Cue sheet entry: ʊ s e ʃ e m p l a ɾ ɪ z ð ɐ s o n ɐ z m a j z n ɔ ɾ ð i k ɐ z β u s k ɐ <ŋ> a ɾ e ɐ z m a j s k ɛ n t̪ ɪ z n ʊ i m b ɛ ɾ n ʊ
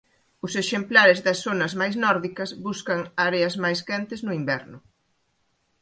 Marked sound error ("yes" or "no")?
no